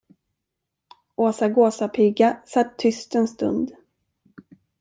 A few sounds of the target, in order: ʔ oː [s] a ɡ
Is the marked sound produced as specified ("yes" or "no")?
yes